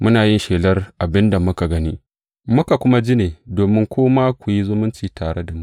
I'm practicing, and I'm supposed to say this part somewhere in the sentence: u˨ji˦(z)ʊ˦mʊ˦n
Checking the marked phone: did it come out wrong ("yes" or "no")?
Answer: no